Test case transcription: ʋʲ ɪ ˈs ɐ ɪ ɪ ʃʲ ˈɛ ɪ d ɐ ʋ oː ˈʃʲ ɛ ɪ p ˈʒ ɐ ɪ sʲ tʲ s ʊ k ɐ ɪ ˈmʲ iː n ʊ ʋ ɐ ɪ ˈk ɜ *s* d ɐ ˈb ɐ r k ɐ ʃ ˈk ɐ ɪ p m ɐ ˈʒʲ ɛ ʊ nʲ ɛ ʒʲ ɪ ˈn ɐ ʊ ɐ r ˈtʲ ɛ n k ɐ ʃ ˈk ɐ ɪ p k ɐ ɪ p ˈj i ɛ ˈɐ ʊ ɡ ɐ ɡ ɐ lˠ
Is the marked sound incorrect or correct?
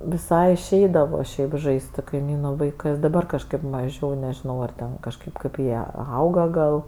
correct